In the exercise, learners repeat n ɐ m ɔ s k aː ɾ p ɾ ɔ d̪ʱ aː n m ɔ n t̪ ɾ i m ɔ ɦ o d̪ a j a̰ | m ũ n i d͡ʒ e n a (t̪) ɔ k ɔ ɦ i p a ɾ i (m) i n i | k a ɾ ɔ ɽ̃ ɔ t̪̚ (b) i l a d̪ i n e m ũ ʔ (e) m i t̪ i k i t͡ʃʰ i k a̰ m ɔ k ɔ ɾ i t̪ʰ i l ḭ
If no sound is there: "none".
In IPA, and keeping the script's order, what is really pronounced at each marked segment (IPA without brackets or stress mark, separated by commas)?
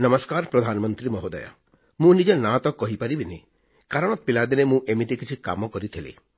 t̪, b, p, e